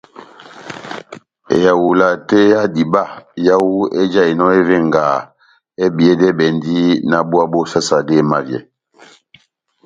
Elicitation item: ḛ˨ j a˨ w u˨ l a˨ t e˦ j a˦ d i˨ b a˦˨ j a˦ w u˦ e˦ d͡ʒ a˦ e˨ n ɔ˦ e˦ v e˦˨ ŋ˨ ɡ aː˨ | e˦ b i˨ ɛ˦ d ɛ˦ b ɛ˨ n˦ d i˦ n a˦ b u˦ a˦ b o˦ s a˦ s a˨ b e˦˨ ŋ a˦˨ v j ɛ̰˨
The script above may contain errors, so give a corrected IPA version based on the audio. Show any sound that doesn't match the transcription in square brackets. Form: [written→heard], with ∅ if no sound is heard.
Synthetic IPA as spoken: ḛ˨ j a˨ w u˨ l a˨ t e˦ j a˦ d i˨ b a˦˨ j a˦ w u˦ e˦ d͡ʒ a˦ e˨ n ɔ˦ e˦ v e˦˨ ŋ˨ ɡ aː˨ | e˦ b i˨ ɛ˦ d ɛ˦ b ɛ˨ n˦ d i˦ n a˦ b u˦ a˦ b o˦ s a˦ s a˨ [b→d] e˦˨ [ŋ→m] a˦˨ v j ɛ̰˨